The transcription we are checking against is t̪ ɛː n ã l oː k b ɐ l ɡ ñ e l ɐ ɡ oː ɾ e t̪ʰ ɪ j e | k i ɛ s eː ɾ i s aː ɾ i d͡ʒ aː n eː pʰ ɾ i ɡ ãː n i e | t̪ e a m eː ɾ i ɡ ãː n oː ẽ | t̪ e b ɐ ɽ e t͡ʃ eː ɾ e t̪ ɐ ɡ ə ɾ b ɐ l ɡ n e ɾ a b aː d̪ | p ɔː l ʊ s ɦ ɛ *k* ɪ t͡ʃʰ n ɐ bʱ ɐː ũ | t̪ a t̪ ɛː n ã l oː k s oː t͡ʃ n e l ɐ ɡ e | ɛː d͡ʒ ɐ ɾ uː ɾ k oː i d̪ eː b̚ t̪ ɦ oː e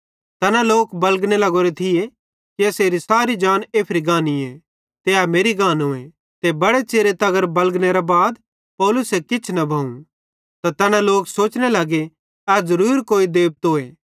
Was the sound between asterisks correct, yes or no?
yes